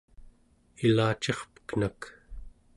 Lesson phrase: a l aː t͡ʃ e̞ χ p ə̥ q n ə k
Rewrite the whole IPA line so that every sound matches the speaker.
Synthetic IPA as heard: i l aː t͡ʃ e̞ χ p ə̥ k n a k